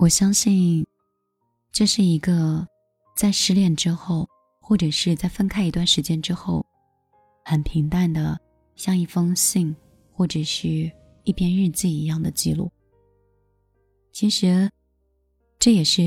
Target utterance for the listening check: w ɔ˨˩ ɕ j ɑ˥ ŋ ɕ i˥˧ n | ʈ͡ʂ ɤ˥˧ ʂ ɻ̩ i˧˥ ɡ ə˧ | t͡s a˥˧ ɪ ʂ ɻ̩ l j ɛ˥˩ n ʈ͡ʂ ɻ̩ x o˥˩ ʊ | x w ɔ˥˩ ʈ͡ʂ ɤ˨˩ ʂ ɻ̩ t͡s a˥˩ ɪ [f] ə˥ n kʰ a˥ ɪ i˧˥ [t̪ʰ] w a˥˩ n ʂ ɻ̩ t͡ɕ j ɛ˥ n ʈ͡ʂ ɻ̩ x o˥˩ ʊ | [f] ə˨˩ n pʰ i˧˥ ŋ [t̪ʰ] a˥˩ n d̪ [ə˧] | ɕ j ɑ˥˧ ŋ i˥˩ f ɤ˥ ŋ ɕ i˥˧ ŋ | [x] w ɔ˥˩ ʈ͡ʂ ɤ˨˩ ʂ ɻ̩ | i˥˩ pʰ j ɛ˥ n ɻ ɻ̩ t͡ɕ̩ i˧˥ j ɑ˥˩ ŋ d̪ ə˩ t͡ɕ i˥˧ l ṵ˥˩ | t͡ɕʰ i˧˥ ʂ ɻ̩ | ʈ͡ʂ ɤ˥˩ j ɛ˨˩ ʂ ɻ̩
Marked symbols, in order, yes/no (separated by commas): yes, no, no, no, no, yes